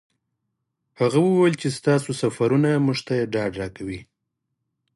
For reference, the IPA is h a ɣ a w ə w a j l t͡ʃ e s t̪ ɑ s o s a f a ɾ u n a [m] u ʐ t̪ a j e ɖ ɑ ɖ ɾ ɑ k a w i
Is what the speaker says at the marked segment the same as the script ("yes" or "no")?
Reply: yes